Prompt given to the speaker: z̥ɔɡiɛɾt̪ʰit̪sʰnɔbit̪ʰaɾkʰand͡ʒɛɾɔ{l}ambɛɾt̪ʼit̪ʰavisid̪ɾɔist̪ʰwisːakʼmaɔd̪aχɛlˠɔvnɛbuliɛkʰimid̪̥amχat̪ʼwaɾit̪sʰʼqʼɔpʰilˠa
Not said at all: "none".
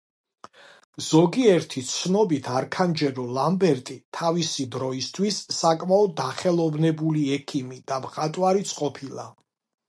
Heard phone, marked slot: l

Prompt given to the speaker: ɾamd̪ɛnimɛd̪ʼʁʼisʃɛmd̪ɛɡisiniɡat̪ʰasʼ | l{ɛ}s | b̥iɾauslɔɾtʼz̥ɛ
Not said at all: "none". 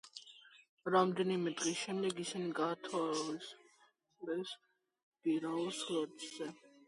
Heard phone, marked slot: ɛ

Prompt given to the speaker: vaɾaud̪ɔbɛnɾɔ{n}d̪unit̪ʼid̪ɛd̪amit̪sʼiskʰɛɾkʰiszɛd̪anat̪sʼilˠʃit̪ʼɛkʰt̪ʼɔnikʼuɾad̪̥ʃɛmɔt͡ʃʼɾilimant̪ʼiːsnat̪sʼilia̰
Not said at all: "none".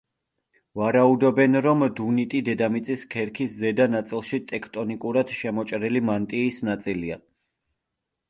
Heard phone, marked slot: m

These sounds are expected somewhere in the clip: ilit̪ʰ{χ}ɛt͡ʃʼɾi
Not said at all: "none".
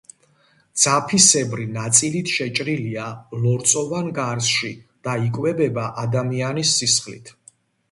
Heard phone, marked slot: ʃ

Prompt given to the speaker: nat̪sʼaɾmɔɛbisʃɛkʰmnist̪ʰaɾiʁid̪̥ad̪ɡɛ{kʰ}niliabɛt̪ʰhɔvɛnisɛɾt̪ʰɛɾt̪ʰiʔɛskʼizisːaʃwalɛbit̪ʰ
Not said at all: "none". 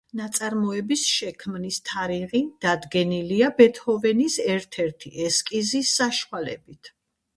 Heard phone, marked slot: none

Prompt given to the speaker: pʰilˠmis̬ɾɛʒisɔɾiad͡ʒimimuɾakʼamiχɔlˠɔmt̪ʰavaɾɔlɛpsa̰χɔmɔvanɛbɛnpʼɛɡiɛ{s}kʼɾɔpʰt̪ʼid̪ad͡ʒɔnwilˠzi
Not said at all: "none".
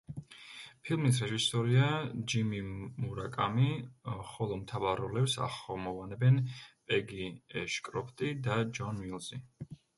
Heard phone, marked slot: ʃ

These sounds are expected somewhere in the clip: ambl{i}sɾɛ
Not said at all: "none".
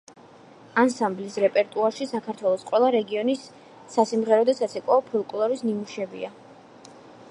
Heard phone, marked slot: i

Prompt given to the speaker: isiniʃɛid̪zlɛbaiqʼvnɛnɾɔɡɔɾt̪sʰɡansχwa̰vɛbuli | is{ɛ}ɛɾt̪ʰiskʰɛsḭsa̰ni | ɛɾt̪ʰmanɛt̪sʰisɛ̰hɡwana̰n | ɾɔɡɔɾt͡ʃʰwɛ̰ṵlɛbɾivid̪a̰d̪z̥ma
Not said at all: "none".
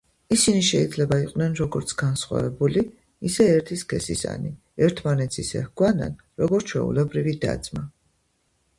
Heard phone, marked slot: ɛ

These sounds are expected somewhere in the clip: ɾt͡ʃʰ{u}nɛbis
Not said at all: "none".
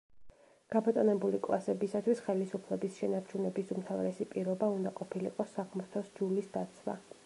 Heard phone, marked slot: u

